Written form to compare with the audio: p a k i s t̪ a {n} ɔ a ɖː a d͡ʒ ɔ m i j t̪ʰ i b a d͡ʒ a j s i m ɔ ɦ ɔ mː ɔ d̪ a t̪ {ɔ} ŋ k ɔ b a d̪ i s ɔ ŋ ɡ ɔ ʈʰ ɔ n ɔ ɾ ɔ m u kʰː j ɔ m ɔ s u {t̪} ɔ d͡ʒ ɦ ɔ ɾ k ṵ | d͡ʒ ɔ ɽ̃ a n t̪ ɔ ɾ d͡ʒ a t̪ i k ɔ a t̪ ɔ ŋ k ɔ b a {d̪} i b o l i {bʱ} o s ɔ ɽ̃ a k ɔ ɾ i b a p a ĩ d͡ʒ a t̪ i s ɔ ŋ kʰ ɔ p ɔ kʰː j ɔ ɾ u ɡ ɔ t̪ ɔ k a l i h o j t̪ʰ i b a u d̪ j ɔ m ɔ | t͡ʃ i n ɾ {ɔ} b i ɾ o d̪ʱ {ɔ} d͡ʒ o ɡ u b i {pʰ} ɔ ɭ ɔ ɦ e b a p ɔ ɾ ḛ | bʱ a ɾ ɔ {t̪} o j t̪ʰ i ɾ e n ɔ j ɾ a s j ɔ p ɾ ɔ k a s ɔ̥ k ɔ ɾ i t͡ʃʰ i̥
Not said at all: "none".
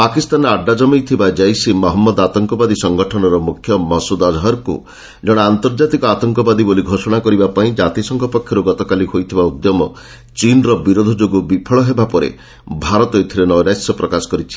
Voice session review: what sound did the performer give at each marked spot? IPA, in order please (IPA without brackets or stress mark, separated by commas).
n, ɔ, d̪, d̪, ɡʱ, ɔ, ɔ, pʰ, t̪